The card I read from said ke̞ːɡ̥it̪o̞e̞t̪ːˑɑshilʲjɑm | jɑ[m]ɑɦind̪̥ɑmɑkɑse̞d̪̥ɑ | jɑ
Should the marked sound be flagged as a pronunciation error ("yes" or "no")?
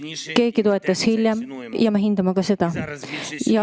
no